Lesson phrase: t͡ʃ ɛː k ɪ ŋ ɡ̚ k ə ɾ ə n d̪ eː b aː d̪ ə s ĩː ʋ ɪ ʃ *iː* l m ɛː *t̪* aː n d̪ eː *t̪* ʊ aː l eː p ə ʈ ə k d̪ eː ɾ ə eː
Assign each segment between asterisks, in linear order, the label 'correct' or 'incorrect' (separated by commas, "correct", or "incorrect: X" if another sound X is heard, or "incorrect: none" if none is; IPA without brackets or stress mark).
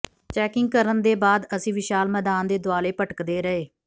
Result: incorrect: aː, incorrect: d̪, incorrect: d̪